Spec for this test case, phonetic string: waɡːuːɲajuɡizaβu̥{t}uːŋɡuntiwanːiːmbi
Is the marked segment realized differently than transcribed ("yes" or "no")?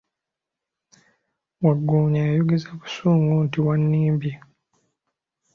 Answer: yes